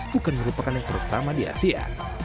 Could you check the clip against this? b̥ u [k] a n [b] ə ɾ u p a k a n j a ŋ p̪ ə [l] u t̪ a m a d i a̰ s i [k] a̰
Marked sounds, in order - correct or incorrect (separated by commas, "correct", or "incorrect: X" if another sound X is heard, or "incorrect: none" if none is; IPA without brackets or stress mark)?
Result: correct, incorrect: m, incorrect: ɾ, incorrect: none